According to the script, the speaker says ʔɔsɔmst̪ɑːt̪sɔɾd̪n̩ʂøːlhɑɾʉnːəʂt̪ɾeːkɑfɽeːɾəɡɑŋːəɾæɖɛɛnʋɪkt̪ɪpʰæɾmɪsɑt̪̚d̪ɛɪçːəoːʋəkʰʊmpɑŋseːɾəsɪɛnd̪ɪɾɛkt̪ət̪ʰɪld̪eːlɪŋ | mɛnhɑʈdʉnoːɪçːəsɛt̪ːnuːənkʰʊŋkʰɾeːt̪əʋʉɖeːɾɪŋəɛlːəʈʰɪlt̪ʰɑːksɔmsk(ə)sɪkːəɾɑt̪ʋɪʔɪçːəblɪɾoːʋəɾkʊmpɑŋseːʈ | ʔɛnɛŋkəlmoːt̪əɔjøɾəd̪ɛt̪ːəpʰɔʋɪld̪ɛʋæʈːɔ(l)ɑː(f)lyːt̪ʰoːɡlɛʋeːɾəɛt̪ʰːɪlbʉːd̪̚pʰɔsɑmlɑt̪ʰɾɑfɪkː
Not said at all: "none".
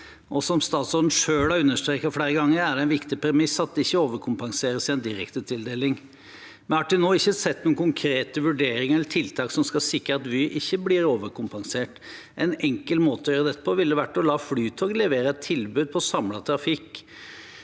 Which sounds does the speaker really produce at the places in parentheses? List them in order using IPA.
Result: ɑ, l, f

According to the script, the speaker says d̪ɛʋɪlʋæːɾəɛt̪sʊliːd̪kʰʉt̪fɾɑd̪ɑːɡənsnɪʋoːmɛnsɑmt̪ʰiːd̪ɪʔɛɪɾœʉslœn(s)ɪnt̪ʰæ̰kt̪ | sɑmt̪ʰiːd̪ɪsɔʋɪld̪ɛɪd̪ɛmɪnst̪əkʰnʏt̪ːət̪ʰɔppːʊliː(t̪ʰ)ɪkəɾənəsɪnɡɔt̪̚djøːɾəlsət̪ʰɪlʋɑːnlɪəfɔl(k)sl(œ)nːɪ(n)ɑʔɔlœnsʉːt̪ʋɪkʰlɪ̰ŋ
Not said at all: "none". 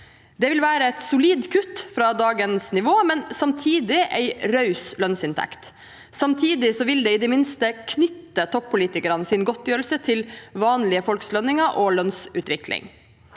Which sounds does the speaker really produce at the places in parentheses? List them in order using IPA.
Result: s, t̪, k, œ, ŋ

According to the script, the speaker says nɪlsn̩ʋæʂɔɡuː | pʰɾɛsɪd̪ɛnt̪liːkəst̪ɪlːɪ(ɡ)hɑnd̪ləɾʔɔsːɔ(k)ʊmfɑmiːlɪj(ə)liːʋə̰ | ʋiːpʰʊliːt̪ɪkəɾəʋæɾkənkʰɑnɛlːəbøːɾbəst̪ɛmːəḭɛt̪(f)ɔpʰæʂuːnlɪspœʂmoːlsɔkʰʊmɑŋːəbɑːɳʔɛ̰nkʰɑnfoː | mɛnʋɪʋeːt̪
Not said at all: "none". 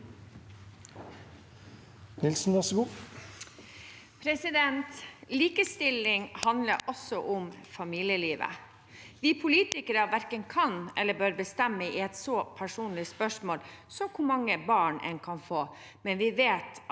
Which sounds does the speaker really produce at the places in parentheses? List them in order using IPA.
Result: ŋ, ʔ, ə, s

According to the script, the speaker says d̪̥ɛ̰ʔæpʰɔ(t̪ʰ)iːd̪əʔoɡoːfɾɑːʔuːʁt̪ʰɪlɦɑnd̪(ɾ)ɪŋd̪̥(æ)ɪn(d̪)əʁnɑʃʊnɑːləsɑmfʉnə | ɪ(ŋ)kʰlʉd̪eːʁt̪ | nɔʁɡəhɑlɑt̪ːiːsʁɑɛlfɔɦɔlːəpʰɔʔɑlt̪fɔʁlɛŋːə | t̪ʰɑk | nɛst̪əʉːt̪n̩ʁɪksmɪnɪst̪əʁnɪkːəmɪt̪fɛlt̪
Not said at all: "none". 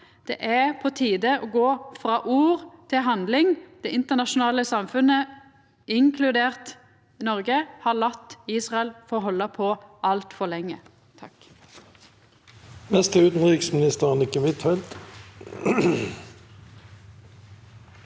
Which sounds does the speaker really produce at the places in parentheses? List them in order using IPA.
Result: t̪ʰ, l, ɛ, t̪, ŋ

